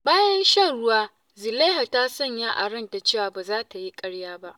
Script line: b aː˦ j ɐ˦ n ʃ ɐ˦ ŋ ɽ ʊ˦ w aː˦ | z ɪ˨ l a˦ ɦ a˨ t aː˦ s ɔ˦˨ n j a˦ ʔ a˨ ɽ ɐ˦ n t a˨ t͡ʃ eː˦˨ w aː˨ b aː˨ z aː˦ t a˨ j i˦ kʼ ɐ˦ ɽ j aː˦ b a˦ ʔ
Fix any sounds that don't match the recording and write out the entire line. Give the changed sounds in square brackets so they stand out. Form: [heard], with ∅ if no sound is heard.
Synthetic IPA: b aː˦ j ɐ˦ n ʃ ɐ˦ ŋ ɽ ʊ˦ w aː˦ | z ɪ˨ l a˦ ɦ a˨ t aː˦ s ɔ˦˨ [ɲ] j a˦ ʔ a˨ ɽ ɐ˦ n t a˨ t͡ʃ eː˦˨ w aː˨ b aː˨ z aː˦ t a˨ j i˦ kʼ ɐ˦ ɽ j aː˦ b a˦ ʔ

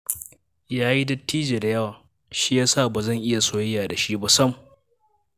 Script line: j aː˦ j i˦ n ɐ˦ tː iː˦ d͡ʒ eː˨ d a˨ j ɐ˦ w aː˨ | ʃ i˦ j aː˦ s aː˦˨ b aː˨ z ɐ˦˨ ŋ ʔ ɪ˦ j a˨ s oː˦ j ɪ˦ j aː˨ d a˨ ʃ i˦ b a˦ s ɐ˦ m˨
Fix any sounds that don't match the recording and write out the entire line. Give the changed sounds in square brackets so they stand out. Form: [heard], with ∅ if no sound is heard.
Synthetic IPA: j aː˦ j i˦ [d] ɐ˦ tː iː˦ d͡ʒ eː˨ d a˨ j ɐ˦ w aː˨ | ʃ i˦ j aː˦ s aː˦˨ b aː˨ z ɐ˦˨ ŋ ʔ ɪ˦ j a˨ s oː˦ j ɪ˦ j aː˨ d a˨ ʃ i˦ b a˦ s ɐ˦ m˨

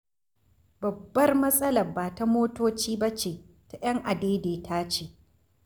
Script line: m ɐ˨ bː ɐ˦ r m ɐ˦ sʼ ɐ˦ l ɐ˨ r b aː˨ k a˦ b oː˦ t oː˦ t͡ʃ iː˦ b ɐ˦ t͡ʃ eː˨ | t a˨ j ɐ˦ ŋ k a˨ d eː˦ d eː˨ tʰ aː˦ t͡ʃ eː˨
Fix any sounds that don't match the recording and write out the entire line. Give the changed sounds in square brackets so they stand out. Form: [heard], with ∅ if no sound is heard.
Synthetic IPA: [b] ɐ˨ bː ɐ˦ r m ɐ˦ sʼ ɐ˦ l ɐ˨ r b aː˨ [t] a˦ [m] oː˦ t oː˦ t͡ʃ iː˦ b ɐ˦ t͡ʃ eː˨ | t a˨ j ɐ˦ ŋ [ʔ] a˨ d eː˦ d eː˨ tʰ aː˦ t͡ʃ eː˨

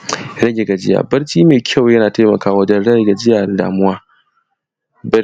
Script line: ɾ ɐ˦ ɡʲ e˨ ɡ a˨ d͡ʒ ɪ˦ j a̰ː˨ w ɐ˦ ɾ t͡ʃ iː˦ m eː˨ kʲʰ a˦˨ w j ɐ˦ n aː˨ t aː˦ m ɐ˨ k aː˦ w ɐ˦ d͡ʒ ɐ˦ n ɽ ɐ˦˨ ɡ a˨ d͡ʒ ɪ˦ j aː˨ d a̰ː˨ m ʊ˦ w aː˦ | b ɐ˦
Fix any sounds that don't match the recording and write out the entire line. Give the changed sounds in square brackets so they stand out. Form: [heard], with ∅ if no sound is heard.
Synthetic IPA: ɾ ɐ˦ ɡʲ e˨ ɡ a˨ d͡ʒ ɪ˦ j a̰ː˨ [b] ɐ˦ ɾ t͡ʃ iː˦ m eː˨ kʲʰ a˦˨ w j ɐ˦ n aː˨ t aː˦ m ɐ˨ k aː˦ w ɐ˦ d͡ʒ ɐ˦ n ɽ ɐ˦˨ ɡ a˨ d͡ʒ ɪ˦ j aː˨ d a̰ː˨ m ʊ˦ w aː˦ | b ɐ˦

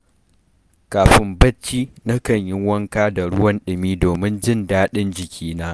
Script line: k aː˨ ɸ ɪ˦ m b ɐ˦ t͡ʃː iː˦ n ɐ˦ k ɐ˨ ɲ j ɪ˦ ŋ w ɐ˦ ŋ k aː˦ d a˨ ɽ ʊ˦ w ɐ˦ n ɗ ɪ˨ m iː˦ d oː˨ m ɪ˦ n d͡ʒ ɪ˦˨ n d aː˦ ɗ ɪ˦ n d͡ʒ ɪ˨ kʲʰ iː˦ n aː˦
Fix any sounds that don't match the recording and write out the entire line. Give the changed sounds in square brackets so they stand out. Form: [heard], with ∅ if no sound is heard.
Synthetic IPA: k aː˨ ɸ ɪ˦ m b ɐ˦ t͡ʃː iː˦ n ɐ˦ k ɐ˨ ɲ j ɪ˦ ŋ w ɐ˦ ŋ k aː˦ d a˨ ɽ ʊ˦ w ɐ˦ n ɗ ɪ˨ m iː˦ d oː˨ m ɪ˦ n d͡ʒ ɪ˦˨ n d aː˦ ɗ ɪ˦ n d͡ʒ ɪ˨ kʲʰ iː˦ n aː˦

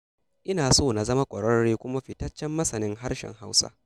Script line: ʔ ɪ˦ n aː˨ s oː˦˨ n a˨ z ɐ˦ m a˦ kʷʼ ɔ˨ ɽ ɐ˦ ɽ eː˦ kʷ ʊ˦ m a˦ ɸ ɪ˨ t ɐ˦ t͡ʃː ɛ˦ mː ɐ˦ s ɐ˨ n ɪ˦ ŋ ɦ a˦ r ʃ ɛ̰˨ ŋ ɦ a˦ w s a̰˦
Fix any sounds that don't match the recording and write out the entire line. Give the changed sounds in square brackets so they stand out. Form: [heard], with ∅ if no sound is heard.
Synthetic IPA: ʔ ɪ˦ n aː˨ s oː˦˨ n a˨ z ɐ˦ m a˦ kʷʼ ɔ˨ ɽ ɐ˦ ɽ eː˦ kʷ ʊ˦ m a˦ ɸ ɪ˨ t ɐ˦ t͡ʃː ɛ˦ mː ɐ˦ s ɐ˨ n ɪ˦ ŋ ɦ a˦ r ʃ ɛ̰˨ ŋ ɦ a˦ w s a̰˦

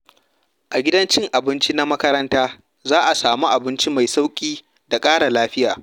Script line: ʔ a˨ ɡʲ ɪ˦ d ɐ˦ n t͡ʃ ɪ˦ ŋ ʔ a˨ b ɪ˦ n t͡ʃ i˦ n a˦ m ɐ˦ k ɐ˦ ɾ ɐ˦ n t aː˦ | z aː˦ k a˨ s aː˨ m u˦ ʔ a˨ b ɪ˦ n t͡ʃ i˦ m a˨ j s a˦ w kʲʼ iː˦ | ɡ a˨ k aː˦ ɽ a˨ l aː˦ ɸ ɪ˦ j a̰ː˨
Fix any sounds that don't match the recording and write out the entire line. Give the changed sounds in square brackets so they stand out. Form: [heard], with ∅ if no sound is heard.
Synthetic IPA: ʔ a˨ ɡʲ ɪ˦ d ɐ˦ n t͡ʃ ɪ˦ ŋ ʔ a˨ b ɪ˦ n t͡ʃ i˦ n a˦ m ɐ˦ k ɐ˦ ɾ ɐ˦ n t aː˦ | z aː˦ [ʔ] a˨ s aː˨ m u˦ ʔ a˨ b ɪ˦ n t͡ʃ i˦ m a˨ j s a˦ w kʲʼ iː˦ | [d] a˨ [kʼ] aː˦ ɽ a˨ l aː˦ ɸ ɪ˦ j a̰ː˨

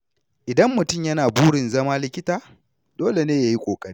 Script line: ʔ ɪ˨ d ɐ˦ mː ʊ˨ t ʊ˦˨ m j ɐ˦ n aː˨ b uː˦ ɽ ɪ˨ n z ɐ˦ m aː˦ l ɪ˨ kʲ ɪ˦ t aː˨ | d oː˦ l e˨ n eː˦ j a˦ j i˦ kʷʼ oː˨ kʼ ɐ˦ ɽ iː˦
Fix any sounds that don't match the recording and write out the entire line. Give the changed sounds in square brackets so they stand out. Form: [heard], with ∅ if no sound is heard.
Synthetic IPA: ʔ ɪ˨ d ɐ˦ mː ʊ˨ t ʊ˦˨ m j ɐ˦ n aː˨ b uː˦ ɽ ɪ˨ n z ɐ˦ m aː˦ l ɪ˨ kʲ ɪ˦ t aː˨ | d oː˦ l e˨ n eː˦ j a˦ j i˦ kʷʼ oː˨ kʼ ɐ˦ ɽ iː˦

